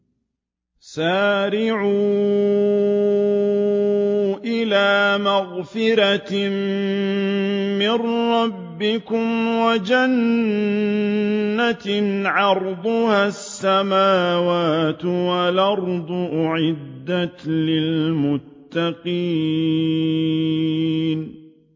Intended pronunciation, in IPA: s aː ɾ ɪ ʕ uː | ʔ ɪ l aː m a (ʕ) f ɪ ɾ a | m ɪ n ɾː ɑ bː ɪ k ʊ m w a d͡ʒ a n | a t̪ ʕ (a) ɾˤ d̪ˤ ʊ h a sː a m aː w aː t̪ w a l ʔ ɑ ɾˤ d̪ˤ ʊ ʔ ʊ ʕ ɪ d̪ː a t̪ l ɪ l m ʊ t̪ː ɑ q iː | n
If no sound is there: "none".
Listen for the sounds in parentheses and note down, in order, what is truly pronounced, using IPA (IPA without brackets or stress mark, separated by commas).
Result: ɣ, ɑ